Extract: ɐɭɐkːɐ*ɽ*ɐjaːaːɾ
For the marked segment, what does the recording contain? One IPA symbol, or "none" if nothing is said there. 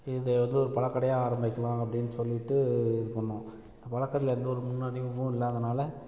ɽ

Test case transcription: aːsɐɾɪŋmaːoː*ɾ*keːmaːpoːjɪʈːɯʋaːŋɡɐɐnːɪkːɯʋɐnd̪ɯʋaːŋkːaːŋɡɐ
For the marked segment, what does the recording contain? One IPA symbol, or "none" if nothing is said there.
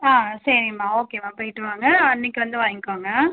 none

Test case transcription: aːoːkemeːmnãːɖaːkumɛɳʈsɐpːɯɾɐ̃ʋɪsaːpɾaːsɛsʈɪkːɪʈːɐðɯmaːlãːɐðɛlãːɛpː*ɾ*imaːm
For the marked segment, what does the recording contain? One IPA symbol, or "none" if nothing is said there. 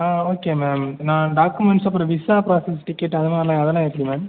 ɽ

